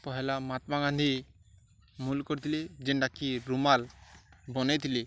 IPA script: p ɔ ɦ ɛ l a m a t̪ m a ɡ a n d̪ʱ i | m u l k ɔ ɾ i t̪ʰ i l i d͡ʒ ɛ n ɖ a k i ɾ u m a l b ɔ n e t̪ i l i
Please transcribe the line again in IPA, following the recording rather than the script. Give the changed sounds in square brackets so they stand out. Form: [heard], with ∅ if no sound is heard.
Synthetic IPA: p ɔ ɦ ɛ l a m a t̪ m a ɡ a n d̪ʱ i | m u l k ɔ ɾ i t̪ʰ i l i d͡ʒ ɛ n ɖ a k i ɾ u m a l b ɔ n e t̪ i l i